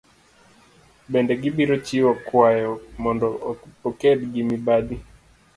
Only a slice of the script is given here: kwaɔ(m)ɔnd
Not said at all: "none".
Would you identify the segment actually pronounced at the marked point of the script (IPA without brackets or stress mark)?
m